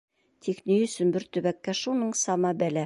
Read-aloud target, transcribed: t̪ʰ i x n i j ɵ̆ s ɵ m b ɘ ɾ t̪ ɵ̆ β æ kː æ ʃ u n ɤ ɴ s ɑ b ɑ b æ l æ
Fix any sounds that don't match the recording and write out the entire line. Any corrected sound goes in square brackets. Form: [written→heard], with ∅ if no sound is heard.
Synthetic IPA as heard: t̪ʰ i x n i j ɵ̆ s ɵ [m→n] b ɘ ɾ t̪ ɵ̆ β æ kː æ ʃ u n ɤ ɴ s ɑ [b→m] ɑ b æ l æ